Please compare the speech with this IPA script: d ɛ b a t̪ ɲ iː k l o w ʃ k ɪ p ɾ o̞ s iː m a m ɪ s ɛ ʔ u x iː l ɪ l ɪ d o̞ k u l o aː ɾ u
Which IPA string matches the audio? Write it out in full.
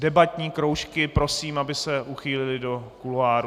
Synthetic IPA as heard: d ɛ b a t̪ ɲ iː k ɾ o w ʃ k ɪ p ɾ o̞ s iː m a b ɪ s ɛ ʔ u x iː l ɪ l ɪ d o̞ k u l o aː ɾ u